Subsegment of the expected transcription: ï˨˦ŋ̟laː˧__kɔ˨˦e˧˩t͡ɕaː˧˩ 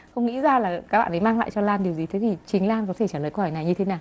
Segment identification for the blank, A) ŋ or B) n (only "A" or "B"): B